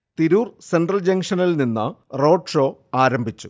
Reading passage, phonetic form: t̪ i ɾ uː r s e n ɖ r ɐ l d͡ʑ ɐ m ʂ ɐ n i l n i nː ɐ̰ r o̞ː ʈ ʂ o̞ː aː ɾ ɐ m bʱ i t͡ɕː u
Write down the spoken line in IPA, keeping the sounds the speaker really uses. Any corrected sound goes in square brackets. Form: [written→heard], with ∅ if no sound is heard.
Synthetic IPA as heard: t̪ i ɾ uː r s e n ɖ r ɐ l d͡ʑ ɐ [m→ŋ] ʂ ɐ n i l n i nː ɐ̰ r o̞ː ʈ ʂ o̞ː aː ɾ ɐ m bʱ i t͡ɕː u